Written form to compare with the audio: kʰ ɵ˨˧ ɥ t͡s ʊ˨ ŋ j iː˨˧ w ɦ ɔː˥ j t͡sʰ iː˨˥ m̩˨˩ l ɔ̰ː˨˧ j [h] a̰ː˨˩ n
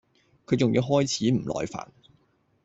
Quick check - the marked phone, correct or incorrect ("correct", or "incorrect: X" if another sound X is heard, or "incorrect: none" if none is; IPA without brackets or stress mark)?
incorrect: f